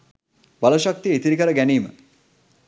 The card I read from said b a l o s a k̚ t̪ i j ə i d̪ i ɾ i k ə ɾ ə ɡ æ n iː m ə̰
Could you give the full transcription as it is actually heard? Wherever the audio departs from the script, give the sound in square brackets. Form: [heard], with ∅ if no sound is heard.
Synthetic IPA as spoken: b a l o [ʃ] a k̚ t̪ i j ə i [t̪] i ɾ i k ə ɾ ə ɡ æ n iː m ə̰